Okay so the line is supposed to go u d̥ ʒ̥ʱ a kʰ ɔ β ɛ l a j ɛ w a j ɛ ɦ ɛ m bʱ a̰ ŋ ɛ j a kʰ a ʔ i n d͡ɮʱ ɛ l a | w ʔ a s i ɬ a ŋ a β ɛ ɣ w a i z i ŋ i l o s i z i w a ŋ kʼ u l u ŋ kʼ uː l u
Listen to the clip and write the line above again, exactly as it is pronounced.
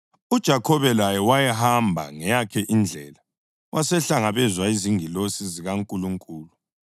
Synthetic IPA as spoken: u d̥ ʒ̥ʱ a kʰ ɔ β ɛ l a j ɛ w a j ɛ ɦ a m bʱ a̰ ŋ ɛ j a kʰ ɛ ʔ i n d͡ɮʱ ɛ l a | w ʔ a s ɛ ɬ a ŋ a β ɛ z w a i z i ŋ i l o s i z i ɣ a ŋ kʼ u l u ŋ kʼ uː l u